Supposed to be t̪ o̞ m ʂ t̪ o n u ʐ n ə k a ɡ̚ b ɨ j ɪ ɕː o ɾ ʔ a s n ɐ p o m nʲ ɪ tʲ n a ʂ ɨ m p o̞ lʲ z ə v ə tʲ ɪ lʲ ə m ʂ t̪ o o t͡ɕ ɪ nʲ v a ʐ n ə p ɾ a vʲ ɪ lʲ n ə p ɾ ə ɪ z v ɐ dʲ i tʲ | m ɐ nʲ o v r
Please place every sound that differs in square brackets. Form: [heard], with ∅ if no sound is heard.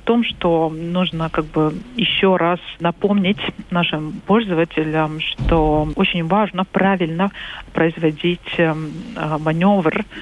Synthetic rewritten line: t̪ o̞ m ʂ t̪ o n u ʐ n ə k a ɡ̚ b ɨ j ɪ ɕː o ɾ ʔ a s n ɐ p o m nʲ ɪ tʲ n a ʂ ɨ m p o̞ lʲ z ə v ə tʲ ɪ lʲ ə m ʂ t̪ o o t͡ɕ ɪ nʲ v a ʐ n ə p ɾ a vʲ ɪ lʲ n ə p ɾ ə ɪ z v ɐ dʲ i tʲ | m ɐ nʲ o v r